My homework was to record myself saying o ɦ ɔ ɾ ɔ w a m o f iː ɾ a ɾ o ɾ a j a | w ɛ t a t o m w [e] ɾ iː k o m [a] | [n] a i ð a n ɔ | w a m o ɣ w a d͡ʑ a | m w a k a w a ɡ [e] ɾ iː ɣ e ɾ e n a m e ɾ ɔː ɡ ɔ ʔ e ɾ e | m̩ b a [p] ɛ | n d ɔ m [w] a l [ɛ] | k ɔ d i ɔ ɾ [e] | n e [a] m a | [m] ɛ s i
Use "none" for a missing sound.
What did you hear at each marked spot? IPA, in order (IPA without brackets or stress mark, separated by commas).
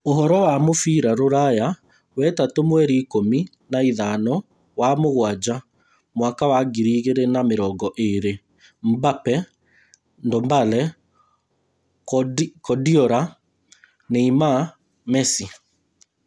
ɛ, i, n, i, p, b, ɛ, a, i, m